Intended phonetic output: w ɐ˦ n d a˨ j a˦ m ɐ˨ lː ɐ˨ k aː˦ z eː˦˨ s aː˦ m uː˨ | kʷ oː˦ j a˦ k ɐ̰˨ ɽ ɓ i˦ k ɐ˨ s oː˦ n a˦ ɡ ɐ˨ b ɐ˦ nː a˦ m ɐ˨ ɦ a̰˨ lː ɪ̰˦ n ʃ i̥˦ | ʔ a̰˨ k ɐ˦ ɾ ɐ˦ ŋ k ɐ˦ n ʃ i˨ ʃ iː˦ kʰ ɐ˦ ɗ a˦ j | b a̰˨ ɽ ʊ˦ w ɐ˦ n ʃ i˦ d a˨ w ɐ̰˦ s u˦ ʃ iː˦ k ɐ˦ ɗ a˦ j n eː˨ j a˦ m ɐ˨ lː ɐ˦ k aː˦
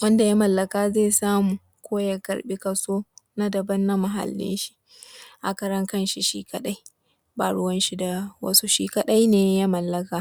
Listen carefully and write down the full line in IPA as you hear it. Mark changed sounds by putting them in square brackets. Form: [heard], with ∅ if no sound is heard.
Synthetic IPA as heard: w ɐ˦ n d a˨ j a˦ m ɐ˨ lː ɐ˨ k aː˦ z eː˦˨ s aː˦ m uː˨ | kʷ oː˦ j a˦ k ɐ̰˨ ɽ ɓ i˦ k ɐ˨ s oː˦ n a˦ [d] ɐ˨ b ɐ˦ nː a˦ m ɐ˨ ɦ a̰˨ lː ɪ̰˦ n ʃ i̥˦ | ʔ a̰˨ k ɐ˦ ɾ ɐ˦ ŋ k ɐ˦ n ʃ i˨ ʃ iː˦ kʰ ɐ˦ ɗ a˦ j | b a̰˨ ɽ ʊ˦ w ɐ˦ n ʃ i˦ d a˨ w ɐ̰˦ s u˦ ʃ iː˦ k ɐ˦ ɗ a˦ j n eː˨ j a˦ m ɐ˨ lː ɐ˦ k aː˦